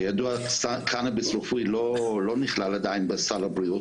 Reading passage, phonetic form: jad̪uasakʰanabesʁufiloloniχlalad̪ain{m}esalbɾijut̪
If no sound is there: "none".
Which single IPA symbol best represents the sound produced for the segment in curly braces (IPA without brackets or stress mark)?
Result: b